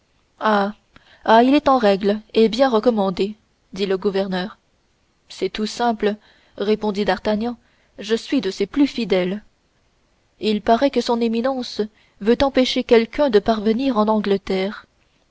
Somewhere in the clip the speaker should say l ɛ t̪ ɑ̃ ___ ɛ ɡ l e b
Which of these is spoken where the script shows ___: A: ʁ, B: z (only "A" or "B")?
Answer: A